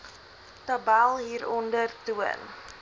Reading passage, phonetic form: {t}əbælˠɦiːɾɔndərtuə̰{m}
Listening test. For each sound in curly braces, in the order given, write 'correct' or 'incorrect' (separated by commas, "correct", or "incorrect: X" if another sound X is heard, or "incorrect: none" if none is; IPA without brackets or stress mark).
correct, incorrect: n